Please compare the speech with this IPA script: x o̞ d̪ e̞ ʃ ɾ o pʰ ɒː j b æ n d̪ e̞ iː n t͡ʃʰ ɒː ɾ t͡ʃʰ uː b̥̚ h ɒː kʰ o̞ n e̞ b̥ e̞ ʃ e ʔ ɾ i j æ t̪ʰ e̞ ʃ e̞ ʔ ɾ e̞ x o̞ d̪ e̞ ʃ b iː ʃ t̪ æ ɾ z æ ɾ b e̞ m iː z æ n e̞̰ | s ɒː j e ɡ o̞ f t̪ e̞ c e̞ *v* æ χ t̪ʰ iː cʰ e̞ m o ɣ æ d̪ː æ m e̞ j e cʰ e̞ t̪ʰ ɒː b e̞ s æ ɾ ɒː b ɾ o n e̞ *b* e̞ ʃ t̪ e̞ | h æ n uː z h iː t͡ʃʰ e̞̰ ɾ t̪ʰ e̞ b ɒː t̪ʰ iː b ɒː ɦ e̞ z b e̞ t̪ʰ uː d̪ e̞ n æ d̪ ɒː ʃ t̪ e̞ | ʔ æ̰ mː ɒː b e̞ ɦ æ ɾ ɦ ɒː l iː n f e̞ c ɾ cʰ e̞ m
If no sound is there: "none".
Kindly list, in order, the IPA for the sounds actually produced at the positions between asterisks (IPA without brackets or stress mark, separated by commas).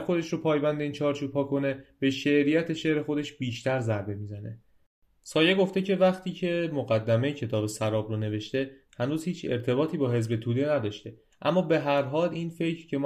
v, v